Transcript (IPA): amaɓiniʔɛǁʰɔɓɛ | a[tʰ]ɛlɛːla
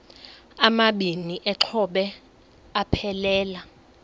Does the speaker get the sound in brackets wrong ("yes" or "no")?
yes